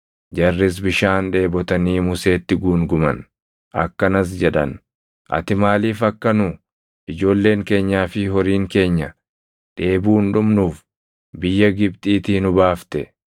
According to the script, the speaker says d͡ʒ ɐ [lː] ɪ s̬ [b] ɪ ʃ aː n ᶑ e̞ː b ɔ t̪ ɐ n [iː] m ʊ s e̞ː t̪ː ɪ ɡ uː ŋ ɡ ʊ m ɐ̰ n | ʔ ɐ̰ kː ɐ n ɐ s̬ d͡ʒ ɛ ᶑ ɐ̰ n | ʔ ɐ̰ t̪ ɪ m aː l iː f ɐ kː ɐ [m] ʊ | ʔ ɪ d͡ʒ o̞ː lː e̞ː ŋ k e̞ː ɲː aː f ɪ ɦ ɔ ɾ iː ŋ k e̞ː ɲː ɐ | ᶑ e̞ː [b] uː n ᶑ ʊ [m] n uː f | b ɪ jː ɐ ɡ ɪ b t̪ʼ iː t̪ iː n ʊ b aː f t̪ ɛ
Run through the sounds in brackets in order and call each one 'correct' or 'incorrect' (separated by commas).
incorrect, correct, correct, incorrect, correct, correct